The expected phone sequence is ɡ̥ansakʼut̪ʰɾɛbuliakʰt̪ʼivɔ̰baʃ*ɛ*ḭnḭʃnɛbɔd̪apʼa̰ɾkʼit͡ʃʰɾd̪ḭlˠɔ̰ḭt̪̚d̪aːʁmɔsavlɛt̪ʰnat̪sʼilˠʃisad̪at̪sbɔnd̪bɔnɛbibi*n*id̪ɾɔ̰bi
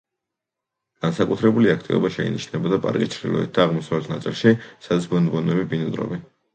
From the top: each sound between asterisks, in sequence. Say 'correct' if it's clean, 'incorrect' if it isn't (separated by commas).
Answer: correct, correct